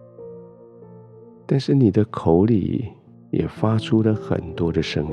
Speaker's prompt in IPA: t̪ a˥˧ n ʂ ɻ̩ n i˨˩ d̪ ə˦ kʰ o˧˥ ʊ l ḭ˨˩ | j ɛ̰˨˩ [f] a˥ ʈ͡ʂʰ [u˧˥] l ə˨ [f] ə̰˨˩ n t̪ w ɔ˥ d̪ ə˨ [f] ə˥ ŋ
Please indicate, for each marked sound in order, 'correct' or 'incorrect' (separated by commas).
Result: correct, incorrect, incorrect, incorrect